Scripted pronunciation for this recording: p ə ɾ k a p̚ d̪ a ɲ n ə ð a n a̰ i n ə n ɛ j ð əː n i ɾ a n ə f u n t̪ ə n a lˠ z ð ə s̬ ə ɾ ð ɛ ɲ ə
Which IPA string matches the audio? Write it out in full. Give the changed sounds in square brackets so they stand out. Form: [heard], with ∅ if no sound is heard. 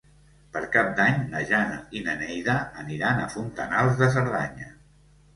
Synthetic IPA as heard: p ə ɾ k a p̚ d̪ a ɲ n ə [ʒ] a n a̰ i n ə n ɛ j ð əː n i ɾ a n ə f u n t̪ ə n a lˠ z ð ə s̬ ə ɾ ð [a] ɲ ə